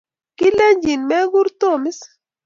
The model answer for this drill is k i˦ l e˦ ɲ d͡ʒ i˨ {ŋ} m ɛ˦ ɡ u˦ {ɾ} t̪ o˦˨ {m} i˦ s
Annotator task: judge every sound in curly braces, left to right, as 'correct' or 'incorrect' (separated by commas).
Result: incorrect, correct, correct